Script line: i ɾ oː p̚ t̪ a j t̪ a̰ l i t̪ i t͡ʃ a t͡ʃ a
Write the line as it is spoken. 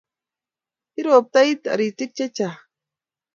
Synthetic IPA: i ɾ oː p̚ t̪ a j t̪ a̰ ɾ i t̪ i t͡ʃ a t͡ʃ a

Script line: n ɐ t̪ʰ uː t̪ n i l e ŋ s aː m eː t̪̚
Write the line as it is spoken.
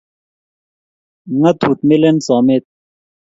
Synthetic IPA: ŋ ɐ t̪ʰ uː t̪ m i l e n s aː m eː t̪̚

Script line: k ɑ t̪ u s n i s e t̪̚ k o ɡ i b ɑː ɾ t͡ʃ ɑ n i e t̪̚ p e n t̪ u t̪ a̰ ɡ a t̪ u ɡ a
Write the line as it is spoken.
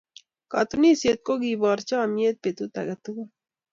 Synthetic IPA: k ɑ t̪ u n i s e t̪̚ k o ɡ i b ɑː ɾ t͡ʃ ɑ m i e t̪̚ p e t̪ u t̪ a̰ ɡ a t̪ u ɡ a

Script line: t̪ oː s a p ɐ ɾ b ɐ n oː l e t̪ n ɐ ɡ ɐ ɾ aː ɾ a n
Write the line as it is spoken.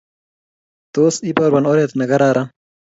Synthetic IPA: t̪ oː s i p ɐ ɾ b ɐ n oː ɾ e t̪ n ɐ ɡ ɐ ɾ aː ɾ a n

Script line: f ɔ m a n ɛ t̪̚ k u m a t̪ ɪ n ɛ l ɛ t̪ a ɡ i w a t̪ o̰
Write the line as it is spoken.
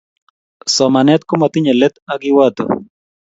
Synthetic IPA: s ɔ m a n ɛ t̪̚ k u m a t̪ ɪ ɲ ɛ l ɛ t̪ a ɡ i w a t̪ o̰

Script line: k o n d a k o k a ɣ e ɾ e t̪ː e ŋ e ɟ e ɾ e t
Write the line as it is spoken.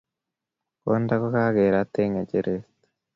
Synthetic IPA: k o n d a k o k a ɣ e ɾ a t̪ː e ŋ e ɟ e ɾ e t

